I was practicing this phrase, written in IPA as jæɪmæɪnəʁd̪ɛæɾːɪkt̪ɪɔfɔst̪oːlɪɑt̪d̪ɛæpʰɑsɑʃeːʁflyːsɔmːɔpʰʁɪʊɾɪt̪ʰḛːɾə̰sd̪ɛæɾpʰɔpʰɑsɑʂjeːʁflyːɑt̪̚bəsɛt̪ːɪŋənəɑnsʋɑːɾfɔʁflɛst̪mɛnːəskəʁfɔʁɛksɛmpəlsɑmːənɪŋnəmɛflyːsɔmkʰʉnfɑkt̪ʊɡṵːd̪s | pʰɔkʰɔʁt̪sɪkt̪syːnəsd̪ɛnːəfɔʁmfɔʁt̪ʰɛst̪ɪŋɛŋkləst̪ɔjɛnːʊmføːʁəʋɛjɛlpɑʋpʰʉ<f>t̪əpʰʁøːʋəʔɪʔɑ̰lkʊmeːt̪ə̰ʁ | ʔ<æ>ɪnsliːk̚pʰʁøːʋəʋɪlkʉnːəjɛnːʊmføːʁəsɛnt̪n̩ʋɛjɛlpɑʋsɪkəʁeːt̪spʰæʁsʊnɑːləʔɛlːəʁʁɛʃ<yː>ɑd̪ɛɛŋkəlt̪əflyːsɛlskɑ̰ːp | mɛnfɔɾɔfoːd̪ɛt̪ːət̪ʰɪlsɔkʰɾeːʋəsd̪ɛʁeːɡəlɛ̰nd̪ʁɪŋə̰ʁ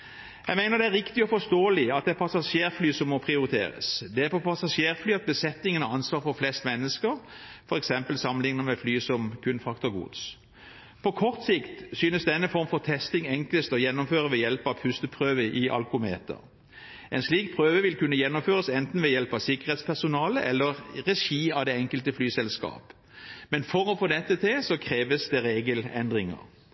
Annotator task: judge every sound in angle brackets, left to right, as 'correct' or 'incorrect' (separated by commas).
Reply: incorrect, incorrect, incorrect